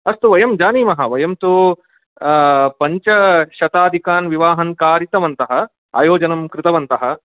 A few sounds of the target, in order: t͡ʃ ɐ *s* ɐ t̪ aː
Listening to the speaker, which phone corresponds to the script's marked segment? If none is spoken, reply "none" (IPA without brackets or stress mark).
ʃ